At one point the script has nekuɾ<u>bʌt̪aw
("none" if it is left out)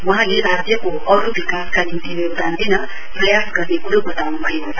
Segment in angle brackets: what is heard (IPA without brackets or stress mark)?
o